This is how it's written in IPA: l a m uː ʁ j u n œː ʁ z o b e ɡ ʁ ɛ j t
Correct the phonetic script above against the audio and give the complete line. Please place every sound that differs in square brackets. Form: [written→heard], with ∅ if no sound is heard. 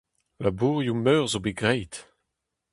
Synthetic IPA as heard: l a [m→b] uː ʁ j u [n→m] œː ʁ z o b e ɡ ʁ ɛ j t